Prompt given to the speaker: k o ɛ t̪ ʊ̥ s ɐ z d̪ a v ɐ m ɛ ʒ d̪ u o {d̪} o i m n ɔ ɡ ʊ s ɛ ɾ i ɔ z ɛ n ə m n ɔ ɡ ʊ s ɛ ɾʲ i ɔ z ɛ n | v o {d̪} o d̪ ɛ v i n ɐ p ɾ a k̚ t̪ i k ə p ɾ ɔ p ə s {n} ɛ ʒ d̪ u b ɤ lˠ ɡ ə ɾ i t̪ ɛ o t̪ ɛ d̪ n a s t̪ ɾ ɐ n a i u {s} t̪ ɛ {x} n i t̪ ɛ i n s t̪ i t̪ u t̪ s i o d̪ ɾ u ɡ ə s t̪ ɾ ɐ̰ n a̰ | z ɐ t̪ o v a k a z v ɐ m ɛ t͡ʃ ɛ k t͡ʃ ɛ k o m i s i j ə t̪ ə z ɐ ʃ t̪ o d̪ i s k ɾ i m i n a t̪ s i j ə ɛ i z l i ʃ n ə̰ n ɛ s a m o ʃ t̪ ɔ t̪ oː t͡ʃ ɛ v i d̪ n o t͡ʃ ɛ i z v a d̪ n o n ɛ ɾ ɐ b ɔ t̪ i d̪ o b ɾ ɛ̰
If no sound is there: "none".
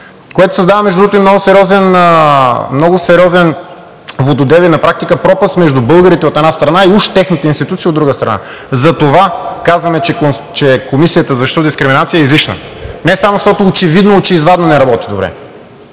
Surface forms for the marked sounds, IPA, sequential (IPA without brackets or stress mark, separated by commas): t̪, d̪, m, ʃ, x